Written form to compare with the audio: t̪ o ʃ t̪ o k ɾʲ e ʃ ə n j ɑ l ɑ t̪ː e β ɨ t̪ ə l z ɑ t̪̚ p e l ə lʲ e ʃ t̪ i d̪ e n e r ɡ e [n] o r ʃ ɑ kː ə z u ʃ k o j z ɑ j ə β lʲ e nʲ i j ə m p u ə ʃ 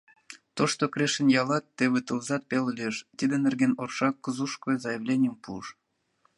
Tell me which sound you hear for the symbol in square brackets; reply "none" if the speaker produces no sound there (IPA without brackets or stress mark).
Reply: n